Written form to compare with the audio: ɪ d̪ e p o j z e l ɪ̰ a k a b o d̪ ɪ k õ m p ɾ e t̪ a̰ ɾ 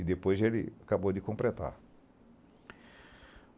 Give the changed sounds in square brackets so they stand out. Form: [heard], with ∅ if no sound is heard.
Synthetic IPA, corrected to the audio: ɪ d̪ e p o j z e l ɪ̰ a k a b o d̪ ɪ k õ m p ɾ e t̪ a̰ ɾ